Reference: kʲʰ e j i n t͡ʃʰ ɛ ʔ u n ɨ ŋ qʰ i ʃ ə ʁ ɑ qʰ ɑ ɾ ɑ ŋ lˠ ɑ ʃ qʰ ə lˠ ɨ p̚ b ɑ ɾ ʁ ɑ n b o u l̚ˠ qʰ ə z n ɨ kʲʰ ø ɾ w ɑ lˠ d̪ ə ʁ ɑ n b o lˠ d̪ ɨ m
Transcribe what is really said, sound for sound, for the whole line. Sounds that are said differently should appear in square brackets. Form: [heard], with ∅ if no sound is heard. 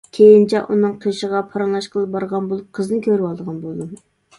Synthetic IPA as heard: kʲʰ e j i n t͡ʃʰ ɛ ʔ u n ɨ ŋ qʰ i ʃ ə ʁ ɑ [pʰ] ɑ ɾ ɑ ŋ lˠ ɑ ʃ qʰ ə lˠ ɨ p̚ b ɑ ɾ ʁ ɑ n b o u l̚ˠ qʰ ə z n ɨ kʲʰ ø ɾ w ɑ lˠ d̪ ə ʁ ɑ n b o lˠ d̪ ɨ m